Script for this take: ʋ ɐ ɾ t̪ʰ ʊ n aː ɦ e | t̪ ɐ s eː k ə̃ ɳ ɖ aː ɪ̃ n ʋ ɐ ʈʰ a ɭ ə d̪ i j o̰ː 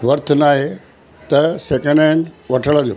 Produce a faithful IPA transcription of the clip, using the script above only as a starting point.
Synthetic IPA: ʋ ɐ ɾ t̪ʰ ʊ n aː ɦ e | t̪ ɐ s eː k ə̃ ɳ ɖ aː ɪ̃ n ʋ ɐ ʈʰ ə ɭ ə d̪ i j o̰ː

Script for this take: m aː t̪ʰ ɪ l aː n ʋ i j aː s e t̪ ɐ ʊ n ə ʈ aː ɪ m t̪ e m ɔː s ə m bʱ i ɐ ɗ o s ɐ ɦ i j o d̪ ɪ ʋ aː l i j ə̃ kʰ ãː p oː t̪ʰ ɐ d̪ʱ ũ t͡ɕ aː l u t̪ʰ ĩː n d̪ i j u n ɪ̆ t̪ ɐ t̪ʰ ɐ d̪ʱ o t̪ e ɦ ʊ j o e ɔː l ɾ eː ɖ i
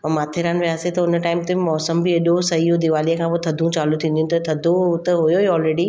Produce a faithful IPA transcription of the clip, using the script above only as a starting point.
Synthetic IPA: m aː t̪ʰ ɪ ɾ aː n ʋ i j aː s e t̪ ɐ ʊ n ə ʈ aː ɪ m t̪ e m ɔː s ə m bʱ i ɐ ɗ o s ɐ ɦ i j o d̪ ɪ ʋ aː l i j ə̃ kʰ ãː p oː t̪ʰ ɐ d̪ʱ ũ t͡ɕ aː l u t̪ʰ ĩː n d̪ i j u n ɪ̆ t̪ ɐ t̪ʰ ɐ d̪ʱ o t̪ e ɦ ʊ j o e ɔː l ɾ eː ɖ i

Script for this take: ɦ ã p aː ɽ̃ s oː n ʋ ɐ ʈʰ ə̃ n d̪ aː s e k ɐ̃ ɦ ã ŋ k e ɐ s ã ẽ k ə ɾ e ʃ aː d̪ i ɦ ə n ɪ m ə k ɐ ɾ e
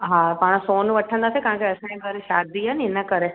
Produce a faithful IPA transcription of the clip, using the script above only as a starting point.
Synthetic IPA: ɦ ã p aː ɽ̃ s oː n ʋ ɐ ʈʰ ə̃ n d̪ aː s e k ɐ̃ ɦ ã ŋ k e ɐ s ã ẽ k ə ɾ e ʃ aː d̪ i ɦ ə n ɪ n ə k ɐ ɾ e

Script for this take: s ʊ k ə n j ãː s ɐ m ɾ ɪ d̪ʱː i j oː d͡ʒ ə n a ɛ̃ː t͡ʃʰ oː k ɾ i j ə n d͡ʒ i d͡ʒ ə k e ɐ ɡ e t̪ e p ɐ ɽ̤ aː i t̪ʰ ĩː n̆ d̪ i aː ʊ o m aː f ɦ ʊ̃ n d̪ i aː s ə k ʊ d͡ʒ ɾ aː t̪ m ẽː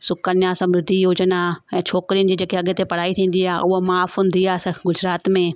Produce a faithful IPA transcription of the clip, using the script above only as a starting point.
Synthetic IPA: s ʊ k ə n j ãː s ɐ m ɾ ɪ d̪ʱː i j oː d͡ʒ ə n a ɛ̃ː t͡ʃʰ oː k ɾ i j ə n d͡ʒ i d͡ʒ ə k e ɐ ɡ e t̪ e p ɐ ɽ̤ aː i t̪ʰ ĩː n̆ d̪ i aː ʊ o m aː f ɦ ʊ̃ n d̪ i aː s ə ɡ ʊ d͡ʒ ɾ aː t̪ m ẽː

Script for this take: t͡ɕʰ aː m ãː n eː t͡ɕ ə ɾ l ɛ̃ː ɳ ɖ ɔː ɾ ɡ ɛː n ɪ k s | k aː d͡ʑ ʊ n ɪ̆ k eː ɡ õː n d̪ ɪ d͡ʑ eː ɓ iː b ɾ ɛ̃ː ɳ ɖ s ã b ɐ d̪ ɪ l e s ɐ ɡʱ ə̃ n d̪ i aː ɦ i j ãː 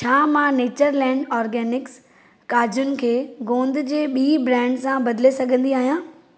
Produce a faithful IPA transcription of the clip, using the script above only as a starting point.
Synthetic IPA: t͡ɕʰ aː m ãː n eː t͡ɕ ə ɾ l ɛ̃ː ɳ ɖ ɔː ɾ ɡ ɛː n ɪ k s | k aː d͡ʑ ʊ n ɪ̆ kʰ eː ɡ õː n d̪ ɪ d͡ʑ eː ɓ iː b ɾ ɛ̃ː ɳ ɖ s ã b ɐ d̪ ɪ l e s ɐ ɡʱ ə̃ n d̪ i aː ɦ i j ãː

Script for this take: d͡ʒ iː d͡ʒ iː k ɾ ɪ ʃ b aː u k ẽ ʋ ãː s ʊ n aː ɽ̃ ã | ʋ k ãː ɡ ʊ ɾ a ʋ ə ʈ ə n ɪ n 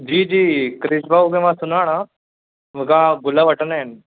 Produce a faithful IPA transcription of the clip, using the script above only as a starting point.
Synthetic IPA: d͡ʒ iː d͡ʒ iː k ɾ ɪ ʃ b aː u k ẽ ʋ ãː s ʊ n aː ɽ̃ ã | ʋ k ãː ɡ ʊ l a ʋ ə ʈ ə n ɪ n

